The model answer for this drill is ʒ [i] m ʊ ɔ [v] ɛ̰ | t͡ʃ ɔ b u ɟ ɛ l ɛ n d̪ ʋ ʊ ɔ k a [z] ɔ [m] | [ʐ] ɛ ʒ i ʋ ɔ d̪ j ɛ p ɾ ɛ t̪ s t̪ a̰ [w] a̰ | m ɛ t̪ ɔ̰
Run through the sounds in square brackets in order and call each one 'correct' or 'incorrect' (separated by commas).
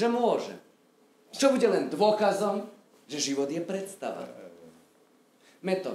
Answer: incorrect, incorrect, correct, correct, incorrect, incorrect